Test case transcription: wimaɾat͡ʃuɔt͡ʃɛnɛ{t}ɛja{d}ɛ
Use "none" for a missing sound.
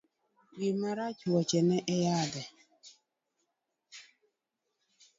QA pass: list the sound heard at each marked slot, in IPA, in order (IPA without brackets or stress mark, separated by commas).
ʔ, d